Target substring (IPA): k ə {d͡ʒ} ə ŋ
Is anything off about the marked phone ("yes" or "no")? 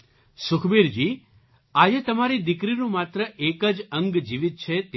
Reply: no